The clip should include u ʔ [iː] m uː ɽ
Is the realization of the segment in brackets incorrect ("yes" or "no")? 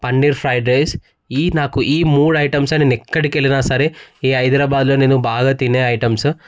no